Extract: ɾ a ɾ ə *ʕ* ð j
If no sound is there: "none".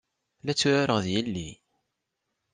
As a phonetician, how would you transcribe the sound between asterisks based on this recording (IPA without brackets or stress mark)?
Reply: ʁ